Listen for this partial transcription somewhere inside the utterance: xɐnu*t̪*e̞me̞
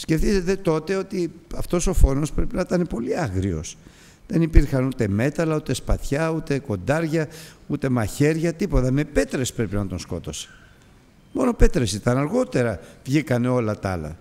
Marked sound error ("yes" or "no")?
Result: no